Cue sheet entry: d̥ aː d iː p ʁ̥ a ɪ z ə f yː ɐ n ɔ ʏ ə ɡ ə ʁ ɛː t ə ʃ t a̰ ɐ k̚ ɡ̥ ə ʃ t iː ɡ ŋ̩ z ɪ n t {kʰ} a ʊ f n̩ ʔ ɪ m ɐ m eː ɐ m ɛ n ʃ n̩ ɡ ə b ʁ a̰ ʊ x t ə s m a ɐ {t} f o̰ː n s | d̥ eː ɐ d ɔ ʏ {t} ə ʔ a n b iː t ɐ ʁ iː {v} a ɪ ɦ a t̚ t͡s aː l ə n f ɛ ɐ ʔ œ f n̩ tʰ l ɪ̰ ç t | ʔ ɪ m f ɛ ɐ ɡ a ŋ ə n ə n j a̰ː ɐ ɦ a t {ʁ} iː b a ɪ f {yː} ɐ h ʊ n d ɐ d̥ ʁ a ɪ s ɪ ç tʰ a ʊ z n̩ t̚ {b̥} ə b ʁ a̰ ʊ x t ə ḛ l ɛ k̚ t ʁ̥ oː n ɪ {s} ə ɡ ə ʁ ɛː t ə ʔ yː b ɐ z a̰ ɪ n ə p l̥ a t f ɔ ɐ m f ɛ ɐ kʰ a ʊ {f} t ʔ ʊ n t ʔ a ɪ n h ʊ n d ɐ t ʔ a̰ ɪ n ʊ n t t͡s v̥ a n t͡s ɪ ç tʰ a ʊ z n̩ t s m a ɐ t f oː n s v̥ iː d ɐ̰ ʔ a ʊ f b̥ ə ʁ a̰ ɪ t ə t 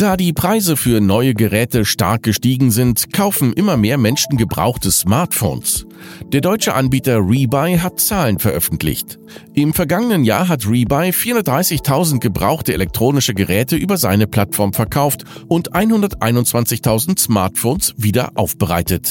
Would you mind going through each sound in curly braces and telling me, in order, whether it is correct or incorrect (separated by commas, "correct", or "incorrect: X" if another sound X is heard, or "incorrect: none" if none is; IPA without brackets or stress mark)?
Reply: correct, correct, incorrect: t͡ʃ, incorrect: b, correct, incorrect: iː, incorrect: ɡ̥, incorrect: ʃ, correct